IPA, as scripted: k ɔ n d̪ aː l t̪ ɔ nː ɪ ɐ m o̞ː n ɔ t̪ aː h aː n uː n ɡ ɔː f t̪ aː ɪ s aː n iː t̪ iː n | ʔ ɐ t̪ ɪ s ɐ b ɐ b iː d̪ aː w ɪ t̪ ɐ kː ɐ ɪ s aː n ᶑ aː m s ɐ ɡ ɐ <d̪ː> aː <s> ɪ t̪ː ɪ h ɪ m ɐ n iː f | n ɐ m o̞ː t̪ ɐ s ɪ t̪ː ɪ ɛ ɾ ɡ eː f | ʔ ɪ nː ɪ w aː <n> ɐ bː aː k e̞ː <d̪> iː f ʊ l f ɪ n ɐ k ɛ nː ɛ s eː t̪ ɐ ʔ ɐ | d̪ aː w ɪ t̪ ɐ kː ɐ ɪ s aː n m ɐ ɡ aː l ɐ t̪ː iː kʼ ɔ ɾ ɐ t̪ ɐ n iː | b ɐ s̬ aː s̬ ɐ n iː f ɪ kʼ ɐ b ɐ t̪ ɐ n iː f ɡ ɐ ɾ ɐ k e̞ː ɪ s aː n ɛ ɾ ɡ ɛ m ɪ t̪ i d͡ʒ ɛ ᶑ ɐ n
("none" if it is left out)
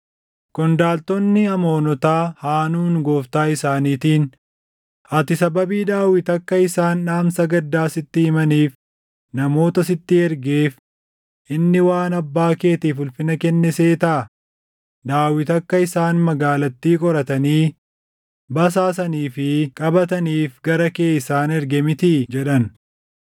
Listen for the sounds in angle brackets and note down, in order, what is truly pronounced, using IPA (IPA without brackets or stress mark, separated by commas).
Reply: d̪ː, s, n, t̪